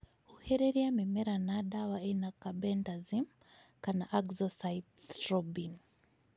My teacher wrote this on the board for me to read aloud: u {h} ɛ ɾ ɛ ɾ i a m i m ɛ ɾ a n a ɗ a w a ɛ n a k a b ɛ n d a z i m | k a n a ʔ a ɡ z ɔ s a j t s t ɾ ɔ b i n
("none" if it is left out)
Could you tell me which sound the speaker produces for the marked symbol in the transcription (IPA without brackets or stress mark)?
h